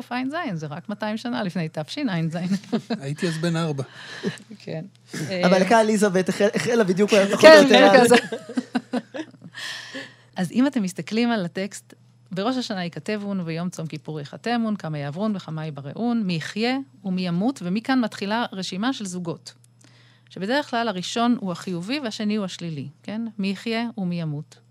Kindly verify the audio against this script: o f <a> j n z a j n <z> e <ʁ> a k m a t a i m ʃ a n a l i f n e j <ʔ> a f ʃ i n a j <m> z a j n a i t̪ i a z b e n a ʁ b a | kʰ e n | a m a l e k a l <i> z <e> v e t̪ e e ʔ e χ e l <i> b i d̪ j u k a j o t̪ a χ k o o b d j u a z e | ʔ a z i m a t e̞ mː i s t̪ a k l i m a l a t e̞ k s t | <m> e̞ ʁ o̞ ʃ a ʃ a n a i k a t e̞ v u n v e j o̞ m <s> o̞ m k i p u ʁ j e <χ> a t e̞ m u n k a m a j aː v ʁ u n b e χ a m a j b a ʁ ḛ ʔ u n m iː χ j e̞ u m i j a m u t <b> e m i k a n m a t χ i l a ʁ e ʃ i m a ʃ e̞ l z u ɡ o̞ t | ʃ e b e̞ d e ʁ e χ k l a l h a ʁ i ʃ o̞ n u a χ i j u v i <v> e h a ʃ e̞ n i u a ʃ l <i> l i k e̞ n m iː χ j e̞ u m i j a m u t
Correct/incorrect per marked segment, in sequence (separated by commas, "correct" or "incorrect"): correct, correct, correct, incorrect, incorrect, correct, incorrect, incorrect, incorrect, incorrect, correct, incorrect, correct, correct